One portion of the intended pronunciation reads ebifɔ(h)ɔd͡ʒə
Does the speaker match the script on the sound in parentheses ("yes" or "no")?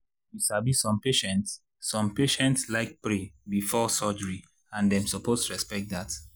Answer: no